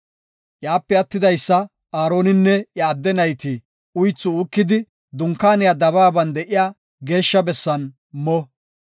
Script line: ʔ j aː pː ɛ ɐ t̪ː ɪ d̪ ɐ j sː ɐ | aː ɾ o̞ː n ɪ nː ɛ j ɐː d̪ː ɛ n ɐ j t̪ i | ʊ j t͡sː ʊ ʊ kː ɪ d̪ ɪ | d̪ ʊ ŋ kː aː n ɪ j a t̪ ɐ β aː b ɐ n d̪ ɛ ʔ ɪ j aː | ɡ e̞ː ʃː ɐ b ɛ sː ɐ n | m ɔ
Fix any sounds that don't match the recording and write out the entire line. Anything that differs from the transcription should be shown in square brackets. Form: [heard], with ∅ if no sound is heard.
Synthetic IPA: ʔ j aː pː ɛ ɐ t̪ː ɪ d̪ ɐ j sː ɐ | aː ɾ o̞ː n ɪ nː ɛ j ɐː d̪ː ɛ n ɐ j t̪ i | ʊ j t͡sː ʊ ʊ kː ɪ d̪ ɪ | d̪ ʊ ŋ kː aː n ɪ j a [d̪] ɐ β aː b ɐ n d̪ ɛ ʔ ɪ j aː | ɡ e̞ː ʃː ɐ b ɛ sː ɐ n | m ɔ